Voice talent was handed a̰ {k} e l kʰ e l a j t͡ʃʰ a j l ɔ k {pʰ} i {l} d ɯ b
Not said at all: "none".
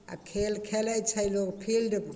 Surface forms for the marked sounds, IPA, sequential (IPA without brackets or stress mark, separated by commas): kʰ, pʰ, l